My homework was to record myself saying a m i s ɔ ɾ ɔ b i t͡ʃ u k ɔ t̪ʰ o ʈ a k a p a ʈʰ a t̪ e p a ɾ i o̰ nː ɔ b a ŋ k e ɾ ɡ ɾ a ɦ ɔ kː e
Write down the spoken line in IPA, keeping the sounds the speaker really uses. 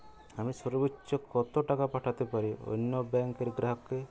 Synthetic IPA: a m i s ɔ ɾ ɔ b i t͡ʃ ɔ k ɔ t̪ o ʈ a k a p a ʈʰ a t̪ e p a ɾ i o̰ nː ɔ b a ŋ k e ɾ ɡ ɾ a ɦ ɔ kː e